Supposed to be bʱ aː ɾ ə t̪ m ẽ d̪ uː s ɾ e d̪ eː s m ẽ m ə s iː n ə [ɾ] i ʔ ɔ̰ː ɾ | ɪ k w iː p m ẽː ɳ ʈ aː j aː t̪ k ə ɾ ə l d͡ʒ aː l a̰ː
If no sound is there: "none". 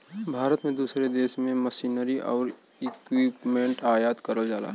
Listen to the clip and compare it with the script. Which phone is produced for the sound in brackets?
ɾ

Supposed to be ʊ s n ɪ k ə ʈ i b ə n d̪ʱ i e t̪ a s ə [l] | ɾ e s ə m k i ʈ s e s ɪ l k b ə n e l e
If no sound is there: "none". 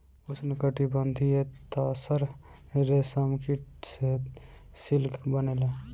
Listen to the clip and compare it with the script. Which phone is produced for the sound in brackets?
ɾ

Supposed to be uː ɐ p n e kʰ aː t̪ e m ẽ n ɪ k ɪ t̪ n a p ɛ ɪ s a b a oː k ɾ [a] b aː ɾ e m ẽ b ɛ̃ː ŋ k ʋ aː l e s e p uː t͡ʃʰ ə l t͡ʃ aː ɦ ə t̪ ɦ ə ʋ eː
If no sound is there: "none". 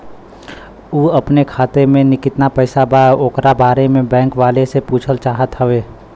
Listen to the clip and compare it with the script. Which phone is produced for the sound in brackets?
a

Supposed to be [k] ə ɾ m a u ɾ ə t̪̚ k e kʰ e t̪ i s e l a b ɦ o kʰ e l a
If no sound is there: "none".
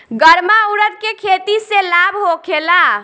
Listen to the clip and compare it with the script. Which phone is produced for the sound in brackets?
ɡ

